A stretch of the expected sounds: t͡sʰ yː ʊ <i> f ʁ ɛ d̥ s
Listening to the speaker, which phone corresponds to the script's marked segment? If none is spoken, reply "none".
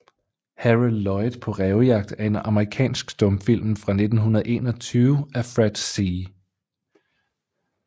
æ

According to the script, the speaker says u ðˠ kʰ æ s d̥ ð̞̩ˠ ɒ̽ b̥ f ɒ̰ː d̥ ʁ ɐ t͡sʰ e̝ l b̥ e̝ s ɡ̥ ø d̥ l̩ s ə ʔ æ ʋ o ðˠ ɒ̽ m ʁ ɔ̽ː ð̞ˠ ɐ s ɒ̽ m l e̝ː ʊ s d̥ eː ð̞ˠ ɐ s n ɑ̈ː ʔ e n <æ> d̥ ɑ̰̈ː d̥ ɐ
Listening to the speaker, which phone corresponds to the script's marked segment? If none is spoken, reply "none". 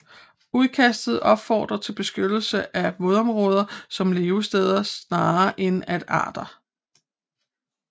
æ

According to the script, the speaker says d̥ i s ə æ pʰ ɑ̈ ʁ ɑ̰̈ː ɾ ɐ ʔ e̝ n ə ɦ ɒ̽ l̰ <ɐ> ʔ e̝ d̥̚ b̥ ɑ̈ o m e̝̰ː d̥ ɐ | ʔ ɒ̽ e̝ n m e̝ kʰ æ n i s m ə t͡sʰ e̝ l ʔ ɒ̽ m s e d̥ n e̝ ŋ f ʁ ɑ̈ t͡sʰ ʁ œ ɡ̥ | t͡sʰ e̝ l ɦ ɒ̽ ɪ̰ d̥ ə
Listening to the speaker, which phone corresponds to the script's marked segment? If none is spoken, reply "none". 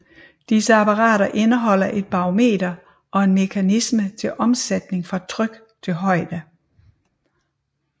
ɐ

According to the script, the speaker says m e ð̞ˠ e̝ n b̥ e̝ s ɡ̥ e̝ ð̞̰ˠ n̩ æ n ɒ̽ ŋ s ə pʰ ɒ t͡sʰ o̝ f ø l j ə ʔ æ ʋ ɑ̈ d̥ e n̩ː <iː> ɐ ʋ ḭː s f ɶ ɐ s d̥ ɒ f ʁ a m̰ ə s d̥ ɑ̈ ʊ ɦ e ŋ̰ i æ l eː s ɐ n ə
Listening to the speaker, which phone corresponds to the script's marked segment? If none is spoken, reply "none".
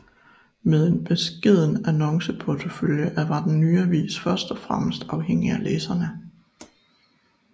yː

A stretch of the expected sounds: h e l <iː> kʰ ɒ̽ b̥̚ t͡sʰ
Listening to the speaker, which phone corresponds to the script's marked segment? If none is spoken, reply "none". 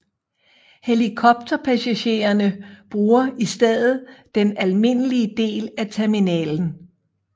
i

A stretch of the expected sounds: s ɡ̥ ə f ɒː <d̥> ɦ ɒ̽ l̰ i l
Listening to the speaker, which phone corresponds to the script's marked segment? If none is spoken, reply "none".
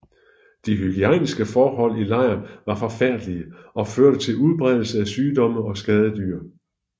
none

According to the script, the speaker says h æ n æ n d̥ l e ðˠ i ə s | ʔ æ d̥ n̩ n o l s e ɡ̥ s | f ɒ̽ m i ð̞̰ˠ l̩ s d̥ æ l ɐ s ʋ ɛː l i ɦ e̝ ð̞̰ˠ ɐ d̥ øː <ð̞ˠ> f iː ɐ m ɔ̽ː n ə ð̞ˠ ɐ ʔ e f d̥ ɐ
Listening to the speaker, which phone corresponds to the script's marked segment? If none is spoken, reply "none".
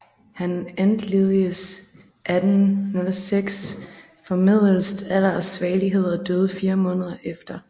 ð̞ˠ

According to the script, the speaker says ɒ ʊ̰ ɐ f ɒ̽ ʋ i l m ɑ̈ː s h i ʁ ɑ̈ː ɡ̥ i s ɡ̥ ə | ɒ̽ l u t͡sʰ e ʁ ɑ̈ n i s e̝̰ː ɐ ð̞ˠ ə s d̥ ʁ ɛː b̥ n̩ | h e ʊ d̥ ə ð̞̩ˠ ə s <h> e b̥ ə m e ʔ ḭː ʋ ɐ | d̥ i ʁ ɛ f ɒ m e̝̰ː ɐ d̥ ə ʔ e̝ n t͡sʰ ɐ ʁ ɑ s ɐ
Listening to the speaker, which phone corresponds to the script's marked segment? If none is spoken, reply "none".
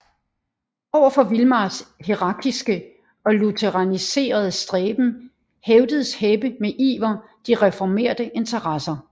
h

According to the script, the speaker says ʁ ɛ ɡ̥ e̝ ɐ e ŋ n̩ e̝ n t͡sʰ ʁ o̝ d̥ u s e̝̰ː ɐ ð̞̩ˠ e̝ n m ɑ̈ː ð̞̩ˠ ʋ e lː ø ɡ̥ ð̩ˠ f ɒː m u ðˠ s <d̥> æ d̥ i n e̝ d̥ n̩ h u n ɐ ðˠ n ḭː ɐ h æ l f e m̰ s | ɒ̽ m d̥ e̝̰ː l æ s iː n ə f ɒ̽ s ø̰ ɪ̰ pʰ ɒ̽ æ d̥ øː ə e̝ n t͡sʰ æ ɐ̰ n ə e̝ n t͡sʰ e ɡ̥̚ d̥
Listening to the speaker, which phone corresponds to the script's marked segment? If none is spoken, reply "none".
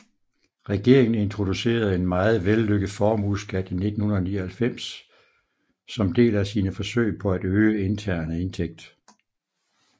ɡ̥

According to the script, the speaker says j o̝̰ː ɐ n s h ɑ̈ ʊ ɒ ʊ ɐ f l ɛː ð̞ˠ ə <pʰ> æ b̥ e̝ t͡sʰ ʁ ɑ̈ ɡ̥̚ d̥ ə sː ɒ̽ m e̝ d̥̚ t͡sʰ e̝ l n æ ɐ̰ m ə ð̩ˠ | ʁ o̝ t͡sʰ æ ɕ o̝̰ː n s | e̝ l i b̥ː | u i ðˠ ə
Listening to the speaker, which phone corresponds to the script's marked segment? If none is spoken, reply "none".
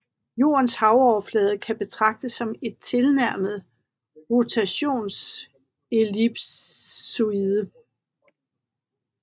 kʰ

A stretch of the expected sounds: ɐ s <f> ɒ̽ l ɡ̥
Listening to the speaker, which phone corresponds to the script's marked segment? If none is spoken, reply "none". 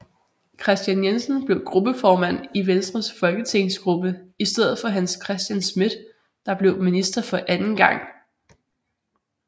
f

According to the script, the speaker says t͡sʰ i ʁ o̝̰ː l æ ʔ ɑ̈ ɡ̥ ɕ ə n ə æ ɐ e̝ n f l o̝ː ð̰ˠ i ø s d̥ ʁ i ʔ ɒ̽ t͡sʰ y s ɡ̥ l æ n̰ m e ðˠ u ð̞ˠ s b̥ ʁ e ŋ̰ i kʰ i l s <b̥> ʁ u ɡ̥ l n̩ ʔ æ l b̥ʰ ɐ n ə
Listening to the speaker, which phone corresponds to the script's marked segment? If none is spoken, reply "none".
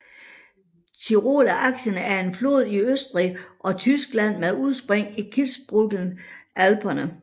b̥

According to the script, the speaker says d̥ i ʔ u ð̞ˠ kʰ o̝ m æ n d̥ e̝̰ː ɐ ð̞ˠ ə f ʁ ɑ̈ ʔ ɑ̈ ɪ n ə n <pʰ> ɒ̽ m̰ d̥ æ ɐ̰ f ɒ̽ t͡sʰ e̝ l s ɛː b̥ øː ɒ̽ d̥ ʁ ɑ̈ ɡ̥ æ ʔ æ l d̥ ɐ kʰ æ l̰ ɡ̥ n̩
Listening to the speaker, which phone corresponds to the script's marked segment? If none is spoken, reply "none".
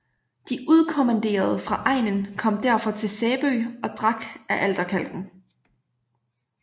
kʰ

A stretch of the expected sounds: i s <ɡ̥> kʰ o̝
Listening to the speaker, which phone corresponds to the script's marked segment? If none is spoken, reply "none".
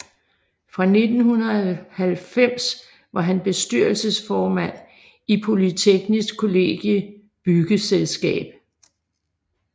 ɡ̥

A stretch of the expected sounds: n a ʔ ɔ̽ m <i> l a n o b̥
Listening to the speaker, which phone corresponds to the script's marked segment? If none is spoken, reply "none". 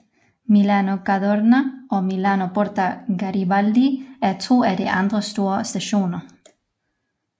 i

